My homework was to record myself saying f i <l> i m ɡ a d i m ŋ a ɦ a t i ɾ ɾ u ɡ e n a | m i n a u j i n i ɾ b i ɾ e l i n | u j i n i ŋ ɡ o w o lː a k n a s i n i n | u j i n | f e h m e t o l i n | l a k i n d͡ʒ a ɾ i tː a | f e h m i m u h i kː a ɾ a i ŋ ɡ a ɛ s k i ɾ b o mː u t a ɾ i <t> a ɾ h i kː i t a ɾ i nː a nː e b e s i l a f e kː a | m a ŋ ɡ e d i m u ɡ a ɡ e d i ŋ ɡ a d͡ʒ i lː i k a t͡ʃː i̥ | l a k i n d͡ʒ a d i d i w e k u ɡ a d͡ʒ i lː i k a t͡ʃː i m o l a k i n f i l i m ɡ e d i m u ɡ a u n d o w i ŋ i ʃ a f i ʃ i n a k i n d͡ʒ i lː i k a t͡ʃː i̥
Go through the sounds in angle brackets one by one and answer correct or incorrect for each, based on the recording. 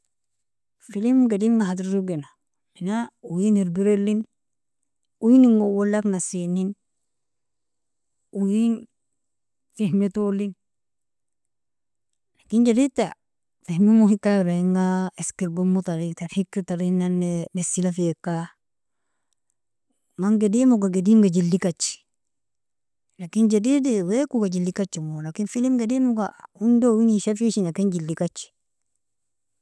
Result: correct, correct

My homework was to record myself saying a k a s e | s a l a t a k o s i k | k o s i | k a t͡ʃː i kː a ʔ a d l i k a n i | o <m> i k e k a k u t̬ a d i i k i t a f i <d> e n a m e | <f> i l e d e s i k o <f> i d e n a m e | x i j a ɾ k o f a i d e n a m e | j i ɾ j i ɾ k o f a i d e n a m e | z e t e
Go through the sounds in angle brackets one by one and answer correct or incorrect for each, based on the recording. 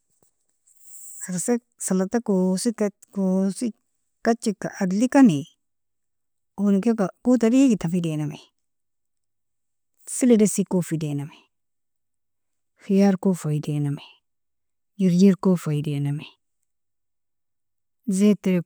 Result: incorrect: n, correct, incorrect: s, correct

